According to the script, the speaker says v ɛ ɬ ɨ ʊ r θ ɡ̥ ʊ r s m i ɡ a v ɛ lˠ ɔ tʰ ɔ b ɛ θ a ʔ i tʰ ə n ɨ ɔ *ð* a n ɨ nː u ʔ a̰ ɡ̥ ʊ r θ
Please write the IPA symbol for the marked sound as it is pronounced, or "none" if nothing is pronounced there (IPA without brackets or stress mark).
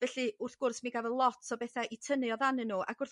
ð